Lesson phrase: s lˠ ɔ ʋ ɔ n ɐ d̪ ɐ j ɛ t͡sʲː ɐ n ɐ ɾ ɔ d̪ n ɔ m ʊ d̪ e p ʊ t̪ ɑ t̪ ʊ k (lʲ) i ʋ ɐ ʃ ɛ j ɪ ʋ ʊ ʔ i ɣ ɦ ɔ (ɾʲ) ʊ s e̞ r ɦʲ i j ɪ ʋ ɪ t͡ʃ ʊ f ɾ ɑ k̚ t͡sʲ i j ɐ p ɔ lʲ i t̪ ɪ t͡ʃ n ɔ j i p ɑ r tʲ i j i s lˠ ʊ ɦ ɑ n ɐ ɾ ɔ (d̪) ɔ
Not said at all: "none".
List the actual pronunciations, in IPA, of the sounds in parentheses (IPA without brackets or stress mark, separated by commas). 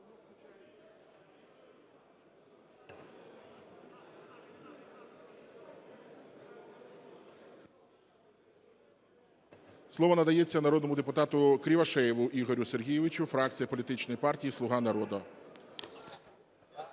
ɾʲ, ɾʲ, d̪